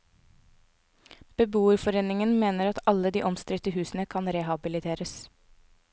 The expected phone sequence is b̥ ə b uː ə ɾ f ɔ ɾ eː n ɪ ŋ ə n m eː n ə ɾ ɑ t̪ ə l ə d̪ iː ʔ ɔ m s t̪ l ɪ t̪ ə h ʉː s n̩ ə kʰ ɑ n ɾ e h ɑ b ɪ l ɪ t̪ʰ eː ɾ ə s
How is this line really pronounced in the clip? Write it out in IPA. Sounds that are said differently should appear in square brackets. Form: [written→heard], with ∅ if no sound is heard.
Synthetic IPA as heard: b̥ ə b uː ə ɾ f ɔ ɾ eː n ɪ ŋ ə n m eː n ə ɾ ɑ t̪ [ə→ɑ] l ə d̪ iː ʔ ɔ m s t̪ [l→ɾ] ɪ t̪ ə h ʉː s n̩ ə kʰ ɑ n ɾ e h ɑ b ɪ l ɪ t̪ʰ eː ɾ ə s